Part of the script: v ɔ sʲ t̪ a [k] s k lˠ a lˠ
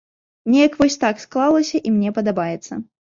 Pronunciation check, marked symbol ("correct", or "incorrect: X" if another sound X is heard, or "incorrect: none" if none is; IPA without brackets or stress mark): correct